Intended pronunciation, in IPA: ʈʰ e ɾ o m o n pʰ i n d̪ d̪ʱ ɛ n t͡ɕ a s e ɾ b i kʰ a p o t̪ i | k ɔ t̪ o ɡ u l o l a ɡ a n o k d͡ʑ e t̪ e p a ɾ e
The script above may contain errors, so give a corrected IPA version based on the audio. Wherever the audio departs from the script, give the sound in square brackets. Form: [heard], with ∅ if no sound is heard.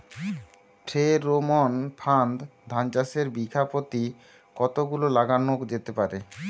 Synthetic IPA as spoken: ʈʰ e ɾ o m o n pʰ [a] n d̪ d̪ʱ [a] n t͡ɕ a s e ɾ b i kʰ a p o t̪ i | k ɔ t̪ o ɡ u l o l a ɡ a n o k d͡ʑ e t̪ e p a ɾ e